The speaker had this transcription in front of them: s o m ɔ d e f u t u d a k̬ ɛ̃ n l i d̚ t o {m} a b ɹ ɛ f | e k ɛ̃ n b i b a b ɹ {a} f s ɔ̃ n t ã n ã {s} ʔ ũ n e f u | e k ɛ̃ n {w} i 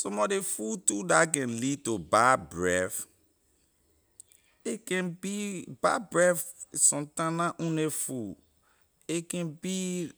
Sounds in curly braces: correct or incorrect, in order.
incorrect: b, incorrect: ɛ, incorrect: none, incorrect: b

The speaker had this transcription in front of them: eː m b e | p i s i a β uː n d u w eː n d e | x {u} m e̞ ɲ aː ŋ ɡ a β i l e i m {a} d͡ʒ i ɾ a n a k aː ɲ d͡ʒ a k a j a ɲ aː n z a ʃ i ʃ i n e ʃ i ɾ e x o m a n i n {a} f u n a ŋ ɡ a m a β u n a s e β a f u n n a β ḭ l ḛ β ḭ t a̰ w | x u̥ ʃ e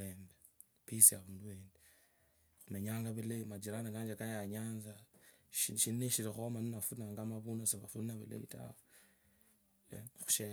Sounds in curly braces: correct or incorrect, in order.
correct, correct, correct

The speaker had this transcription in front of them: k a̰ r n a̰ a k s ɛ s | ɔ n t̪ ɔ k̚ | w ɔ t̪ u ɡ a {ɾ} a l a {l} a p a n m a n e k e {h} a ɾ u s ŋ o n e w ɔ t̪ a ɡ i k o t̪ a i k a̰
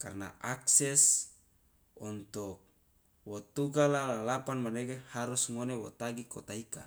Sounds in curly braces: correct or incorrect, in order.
incorrect: l, correct, correct

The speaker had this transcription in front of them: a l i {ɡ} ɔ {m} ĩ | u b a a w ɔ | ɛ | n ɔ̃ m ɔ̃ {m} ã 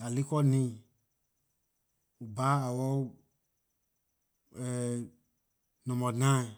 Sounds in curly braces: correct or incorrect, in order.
incorrect: k, incorrect: n, incorrect: n

